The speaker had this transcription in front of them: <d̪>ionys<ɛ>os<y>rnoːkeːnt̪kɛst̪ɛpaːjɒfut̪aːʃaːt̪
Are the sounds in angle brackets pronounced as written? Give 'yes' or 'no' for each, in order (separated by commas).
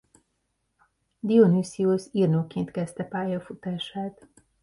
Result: yes, no, no